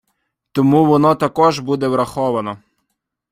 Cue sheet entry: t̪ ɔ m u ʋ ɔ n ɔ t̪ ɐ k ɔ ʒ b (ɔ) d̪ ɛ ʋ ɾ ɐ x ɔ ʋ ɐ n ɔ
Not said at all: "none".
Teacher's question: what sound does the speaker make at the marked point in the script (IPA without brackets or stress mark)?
u